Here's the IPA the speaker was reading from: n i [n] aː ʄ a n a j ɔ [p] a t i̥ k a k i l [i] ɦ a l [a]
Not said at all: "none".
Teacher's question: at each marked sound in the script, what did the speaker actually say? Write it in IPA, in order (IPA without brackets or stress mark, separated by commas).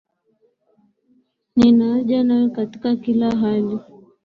n, k, a, i